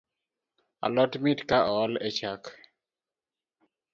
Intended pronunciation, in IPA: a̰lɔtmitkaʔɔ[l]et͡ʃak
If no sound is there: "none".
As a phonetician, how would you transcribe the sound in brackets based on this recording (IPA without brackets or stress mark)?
l